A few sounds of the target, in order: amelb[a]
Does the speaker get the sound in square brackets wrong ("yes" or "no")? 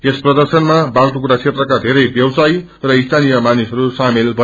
yes